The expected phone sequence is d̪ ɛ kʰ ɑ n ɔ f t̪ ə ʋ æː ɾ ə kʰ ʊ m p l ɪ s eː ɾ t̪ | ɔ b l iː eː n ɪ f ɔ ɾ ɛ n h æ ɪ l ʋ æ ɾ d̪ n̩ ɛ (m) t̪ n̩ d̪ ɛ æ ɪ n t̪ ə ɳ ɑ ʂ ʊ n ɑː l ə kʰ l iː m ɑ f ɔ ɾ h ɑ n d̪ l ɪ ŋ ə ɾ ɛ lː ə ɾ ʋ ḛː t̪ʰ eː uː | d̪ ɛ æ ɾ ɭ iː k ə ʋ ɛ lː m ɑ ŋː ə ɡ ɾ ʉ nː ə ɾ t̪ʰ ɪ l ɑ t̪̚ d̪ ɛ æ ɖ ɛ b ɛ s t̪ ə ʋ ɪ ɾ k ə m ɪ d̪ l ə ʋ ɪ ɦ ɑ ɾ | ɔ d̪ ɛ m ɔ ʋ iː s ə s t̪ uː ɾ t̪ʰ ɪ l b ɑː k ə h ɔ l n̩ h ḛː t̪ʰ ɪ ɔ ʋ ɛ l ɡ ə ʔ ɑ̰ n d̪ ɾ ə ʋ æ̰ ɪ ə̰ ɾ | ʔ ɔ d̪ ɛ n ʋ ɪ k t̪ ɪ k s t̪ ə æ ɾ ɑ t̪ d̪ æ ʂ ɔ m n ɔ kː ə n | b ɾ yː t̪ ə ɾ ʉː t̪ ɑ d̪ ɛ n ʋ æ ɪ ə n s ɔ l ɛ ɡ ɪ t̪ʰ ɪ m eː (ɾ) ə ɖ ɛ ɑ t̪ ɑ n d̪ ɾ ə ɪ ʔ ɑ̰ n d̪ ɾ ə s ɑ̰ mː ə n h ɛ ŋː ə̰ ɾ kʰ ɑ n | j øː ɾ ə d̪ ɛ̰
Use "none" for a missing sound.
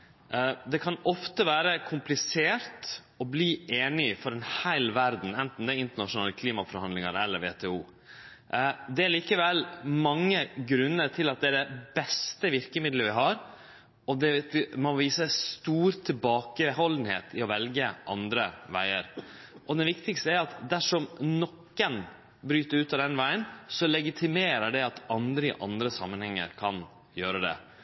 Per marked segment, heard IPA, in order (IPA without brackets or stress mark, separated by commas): n, ɾ